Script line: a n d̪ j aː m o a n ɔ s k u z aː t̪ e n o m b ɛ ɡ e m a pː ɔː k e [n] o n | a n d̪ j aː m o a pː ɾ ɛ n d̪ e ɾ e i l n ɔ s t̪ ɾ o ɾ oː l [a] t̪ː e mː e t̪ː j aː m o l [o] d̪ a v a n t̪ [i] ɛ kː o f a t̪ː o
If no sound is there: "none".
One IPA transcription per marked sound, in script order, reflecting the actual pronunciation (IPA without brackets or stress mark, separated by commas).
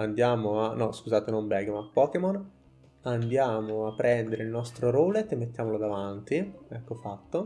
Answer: m, e, o, i